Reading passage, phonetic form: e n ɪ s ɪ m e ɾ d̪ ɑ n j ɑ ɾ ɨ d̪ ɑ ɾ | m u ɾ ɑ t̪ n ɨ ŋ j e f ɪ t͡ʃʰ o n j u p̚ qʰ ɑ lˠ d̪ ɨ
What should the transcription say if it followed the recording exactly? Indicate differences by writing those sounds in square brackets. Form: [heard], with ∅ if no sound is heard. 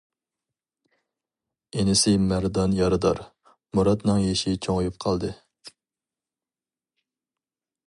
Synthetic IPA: e n ɪ s ɪ m [æ] ɾ d̪ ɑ n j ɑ ɾ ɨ d̪ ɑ ɾ | m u ɾ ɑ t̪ n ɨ ŋ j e [ʃ] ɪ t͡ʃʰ o [ŋ] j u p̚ qʰ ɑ lˠ d̪ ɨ